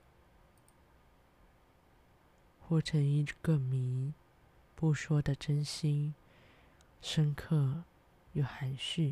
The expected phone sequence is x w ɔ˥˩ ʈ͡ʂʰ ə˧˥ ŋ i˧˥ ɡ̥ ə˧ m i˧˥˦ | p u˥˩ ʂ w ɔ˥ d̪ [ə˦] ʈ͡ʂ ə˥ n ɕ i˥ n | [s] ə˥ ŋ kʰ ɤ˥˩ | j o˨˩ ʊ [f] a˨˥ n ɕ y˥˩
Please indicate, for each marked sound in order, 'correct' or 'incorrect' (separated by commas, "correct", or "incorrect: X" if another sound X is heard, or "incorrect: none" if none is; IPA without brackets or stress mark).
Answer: incorrect: ə˨, incorrect: ʂ, incorrect: x